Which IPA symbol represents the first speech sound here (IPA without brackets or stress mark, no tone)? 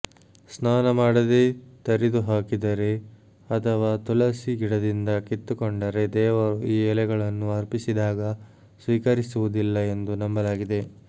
s